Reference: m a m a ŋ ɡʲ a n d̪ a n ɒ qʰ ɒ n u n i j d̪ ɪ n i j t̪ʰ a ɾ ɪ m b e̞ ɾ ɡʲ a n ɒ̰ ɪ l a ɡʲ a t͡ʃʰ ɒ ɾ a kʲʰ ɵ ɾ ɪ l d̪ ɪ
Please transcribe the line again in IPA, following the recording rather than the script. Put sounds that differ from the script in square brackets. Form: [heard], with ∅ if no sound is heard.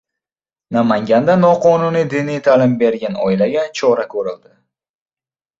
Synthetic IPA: [n] a m a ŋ ɡʲ a n d̪ a n ɒ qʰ ɒ n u n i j d̪ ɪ n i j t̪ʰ a [l] ɪ m b e̞ ɾ ɡʲ a n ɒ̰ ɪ l a ɡʲ a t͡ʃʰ ɒ ɾ a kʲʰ ɵ ɾ ɪ l d̪ ɪ